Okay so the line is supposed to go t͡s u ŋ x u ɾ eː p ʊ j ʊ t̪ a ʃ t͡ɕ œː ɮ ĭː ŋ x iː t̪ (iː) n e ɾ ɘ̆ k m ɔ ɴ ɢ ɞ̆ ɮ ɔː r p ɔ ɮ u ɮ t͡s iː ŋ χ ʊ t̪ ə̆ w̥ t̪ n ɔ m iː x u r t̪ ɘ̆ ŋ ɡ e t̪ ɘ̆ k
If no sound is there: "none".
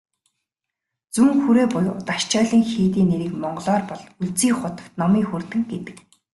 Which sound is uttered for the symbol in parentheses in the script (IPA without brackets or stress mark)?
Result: iː